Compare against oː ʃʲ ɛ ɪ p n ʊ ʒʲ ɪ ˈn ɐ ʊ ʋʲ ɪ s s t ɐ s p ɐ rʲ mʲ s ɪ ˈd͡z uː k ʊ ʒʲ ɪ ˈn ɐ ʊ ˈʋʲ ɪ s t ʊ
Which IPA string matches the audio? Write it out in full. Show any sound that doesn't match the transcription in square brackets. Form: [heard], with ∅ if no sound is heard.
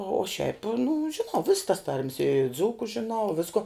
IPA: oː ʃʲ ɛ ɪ p n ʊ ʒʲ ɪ ˈn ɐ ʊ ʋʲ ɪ s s t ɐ s [t] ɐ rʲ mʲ s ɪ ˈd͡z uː k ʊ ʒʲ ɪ ˈn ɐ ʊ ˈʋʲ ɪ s [k] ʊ